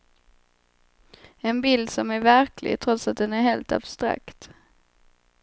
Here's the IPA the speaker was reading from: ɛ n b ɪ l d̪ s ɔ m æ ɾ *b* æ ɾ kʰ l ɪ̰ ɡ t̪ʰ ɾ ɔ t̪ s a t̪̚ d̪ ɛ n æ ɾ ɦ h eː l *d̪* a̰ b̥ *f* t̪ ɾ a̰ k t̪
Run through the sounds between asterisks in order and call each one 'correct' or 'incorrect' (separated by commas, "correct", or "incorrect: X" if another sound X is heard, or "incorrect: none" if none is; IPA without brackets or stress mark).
incorrect: v, incorrect: t̪, incorrect: s